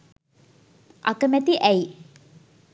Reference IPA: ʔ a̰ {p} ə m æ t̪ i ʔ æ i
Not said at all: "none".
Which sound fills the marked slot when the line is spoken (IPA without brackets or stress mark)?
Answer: k